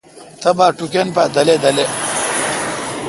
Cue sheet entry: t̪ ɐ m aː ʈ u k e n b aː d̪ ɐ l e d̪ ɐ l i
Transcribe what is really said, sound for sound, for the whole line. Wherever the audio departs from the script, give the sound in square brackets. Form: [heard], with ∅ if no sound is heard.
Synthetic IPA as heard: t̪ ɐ [b] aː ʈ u k e n [p] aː d̪ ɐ l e d̪ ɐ l [e]